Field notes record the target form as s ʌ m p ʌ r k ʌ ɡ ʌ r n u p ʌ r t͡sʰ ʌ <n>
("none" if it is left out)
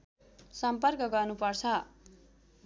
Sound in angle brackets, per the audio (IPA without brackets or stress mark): none